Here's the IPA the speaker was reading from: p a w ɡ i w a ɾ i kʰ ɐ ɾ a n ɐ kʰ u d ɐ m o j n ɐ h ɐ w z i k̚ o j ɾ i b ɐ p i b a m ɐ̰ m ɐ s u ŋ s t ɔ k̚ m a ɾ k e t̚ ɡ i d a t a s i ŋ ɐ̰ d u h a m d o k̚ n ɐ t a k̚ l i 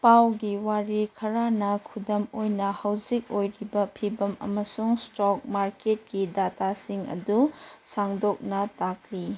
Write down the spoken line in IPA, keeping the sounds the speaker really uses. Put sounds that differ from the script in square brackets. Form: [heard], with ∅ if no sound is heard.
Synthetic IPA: p a w ɡ i w a ɾ i kʰ ɐ ɾ a n ɐ kʰ u d ɐ m o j n ɐ h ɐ w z i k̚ o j ɾ i b ɐ [pʰ] i b [ɐ] m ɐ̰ m ɐ s u ŋ s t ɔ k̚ m a ɾ k e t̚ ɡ i d a t a s i ŋ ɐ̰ d u [s] a [ŋ] d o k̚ n ɐ t a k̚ l i